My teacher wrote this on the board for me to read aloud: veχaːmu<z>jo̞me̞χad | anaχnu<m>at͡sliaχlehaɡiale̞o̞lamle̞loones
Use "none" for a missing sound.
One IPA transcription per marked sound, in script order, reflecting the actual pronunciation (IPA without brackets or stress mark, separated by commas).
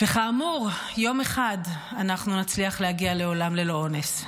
ʁ, n